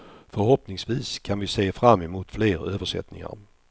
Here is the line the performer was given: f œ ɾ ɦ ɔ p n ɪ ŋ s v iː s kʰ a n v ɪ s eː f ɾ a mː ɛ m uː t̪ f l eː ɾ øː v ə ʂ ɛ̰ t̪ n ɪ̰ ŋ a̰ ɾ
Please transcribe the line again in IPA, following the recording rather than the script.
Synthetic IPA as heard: f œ ɾ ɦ ɔ p n ɪ ŋ s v iː s kʰ a n v ɪ s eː f ɾ a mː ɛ m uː t̪ f l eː ɾ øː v ə ʂ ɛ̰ t̪ n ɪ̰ ŋ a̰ ɾ